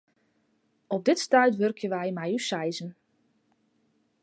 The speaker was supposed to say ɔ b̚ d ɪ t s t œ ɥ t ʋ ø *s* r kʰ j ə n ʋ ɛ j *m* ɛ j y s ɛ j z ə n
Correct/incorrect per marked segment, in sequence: incorrect, correct

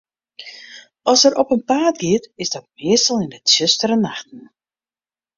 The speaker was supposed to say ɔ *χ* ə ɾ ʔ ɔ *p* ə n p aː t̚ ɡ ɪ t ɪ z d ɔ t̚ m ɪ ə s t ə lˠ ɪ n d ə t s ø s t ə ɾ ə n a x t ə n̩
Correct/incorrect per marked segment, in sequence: incorrect, correct

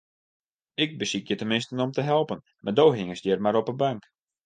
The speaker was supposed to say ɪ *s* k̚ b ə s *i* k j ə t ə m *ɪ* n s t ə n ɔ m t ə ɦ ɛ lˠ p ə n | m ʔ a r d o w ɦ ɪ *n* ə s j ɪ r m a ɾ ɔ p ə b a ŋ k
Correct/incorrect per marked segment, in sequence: incorrect, correct, correct, incorrect

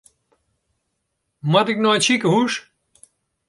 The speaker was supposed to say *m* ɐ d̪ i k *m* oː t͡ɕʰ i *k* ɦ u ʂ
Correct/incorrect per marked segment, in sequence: correct, incorrect, correct

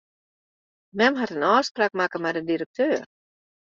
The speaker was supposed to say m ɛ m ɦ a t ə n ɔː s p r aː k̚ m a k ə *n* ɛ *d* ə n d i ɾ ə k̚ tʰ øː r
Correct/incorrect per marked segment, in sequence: incorrect, correct

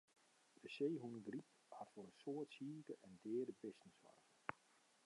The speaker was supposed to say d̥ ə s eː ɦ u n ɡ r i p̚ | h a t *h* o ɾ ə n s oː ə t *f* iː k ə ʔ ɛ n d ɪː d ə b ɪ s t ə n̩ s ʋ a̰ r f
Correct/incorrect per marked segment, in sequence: incorrect, incorrect

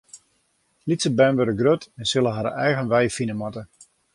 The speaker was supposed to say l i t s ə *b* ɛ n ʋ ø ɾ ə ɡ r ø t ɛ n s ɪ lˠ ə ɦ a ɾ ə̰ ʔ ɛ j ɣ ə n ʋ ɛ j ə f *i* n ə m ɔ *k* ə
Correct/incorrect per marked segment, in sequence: correct, correct, incorrect

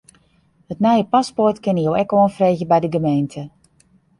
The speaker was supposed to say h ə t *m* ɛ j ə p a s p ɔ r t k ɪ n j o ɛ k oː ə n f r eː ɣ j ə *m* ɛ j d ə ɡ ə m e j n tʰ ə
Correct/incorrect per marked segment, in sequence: incorrect, incorrect

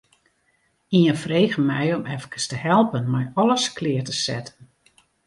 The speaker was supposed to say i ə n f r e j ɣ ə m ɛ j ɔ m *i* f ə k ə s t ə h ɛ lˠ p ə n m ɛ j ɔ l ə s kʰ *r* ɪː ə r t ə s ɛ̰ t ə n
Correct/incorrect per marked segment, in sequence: incorrect, incorrect

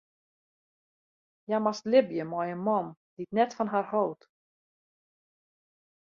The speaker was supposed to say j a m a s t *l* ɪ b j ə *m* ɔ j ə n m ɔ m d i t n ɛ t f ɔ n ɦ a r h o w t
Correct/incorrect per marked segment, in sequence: correct, correct

